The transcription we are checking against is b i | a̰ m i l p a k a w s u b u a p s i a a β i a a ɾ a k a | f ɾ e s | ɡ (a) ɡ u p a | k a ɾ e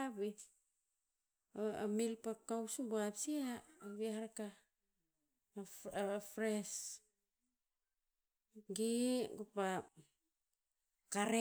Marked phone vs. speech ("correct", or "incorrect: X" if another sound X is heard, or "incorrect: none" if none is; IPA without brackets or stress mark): incorrect: i